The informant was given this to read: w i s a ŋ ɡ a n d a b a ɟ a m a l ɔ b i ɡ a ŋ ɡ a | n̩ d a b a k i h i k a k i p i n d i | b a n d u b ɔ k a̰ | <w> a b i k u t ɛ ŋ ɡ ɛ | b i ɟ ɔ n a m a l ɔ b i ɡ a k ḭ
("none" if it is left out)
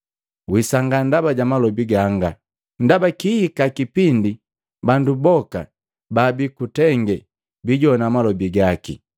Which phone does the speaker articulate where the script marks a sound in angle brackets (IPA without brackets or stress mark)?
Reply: b